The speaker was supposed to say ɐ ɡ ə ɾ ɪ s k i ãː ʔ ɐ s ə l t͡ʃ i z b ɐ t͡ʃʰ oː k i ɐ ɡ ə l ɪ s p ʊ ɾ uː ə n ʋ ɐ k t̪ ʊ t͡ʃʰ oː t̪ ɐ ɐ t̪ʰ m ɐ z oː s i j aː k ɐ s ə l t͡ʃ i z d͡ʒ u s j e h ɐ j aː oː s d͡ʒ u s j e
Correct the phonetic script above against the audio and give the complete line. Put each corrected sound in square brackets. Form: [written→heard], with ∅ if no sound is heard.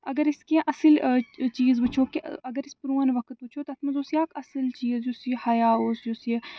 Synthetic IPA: ɐ ɡ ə ɾ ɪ s k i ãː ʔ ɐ s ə l t͡ʃ [i→iː] z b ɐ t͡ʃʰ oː k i ɐ ɡ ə [l→ɾ] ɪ s p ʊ ɾ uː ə n ʋ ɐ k t̪ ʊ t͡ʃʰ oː t̪ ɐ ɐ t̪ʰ m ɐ z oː s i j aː k ɐ s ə l t͡ʃ [i→iː] z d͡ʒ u s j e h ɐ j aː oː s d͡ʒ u s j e

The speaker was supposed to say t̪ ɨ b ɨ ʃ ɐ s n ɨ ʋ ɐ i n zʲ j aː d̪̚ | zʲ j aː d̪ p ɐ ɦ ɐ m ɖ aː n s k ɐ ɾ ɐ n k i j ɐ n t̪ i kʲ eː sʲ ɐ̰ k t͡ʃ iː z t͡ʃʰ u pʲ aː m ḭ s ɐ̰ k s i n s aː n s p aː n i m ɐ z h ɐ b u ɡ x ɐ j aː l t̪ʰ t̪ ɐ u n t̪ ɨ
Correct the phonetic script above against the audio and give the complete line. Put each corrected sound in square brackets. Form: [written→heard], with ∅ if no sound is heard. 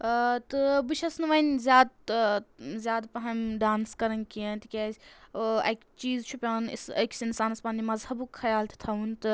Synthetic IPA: t̪ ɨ b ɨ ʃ ɐ s n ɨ ʋ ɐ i n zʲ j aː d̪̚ | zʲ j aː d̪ p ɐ ɦ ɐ m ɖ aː n s k ɐ ɾ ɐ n k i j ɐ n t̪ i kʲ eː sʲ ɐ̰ k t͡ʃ iː z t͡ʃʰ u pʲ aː [m→n] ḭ s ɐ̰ k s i n s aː n s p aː n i m ɐ z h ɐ b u [ɡ→k] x ɐ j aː l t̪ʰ [t̪→t̪ʰ] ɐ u n t̪ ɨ

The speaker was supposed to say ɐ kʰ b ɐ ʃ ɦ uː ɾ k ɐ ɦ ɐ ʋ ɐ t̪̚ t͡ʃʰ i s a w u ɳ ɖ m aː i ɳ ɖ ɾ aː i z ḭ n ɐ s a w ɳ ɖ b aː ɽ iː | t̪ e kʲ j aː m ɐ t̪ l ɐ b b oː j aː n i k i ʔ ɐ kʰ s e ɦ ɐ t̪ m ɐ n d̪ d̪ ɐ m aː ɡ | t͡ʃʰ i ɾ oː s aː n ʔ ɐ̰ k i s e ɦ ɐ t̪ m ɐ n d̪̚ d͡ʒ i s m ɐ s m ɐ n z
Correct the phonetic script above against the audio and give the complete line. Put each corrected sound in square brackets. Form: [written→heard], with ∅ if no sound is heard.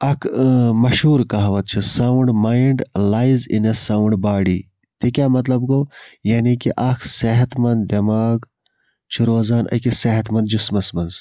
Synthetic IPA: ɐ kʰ [b→m] ɐ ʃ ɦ uː ɾ k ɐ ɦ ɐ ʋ ɐ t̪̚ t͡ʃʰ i s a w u ɳ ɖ m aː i ɳ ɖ [ɾ→l] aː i z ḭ n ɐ s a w ɳ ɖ b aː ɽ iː | t̪ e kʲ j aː m ɐ t̪ l ɐ b [b→ɡ] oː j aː n i k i ʔ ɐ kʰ s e ɦ ɐ t̪ m ɐ n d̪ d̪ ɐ m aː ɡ | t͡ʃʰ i ɾ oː [s→z] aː n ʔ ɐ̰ k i s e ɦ ɐ t̪ m ɐ n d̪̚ d͡ʒ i s m ɐ s m ɐ n z

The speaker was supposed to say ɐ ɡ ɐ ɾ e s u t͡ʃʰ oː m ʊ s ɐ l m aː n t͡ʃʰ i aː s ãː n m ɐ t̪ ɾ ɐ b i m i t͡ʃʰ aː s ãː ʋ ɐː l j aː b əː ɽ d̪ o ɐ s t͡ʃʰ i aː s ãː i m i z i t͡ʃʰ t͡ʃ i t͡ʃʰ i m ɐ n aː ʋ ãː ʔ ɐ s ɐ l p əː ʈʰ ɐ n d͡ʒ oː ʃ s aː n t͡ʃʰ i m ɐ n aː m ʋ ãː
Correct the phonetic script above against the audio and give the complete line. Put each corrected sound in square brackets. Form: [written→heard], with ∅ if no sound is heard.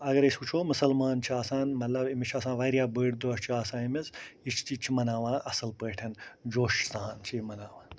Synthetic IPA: ɐ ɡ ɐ ɾ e s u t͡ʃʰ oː m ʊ s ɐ l m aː n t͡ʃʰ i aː s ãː n m ɐ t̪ [ɾ→l] ɐ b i m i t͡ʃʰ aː s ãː ʋ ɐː [l→ɾ] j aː b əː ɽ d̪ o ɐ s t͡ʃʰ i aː s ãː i m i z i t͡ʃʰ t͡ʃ i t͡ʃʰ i m ɐ n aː ʋ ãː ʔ ɐ s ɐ l p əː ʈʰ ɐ n d͡ʒ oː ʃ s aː n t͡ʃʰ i m ɐ n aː [m→∅] ʋ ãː

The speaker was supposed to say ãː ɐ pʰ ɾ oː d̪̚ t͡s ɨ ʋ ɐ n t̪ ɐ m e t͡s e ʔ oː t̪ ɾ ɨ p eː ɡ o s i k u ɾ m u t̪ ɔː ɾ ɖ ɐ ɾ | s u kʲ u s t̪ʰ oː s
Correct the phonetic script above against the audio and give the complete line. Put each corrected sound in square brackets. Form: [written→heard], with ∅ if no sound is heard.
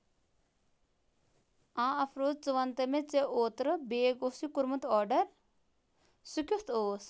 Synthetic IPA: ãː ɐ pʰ ɾ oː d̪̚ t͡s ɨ ʋ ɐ n t̪ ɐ m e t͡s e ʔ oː t̪ ɾ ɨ [p→b] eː ɡ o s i k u ɾ m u t̪ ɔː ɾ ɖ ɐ ɾ | s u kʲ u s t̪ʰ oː s

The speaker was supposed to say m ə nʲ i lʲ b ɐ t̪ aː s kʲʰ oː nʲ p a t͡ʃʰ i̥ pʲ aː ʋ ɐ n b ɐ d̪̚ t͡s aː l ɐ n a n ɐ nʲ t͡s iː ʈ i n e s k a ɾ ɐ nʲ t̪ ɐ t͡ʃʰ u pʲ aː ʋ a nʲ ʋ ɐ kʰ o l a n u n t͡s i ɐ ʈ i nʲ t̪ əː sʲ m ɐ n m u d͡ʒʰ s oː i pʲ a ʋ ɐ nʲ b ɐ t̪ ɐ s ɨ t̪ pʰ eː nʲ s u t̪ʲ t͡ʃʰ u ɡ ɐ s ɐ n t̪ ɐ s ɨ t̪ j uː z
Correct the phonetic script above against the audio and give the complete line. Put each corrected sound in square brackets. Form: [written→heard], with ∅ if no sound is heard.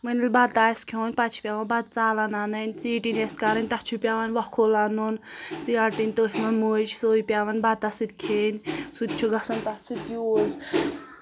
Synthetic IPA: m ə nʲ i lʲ b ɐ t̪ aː s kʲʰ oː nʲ p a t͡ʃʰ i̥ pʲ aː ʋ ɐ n b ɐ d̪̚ t͡s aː l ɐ n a n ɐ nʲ t͡s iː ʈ i n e s k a ɾ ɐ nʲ t̪ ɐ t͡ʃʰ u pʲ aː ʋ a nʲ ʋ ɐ kʰ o l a n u n t͡s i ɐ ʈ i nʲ t̪ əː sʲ m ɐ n m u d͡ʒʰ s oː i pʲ a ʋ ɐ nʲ b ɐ t̪ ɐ s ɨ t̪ [pʰ→kʰ] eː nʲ s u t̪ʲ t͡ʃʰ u ɡ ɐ s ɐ n t̪ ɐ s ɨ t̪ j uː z

